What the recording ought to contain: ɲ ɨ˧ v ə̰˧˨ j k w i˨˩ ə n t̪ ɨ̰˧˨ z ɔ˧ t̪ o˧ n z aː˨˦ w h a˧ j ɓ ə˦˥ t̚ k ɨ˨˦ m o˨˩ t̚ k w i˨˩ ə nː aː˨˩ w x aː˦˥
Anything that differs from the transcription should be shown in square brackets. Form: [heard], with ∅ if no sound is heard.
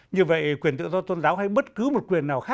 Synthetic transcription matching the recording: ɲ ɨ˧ v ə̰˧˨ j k w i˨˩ ə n t̪ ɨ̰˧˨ z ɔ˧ t̪ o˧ n z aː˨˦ w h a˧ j ɓ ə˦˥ t̚ k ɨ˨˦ m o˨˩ t̚ k w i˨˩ ə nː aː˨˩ w x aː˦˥